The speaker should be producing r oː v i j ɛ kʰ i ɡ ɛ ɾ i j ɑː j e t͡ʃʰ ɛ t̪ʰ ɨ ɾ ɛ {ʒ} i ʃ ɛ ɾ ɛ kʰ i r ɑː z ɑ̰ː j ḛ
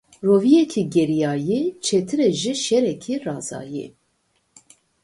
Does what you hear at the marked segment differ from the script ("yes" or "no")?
no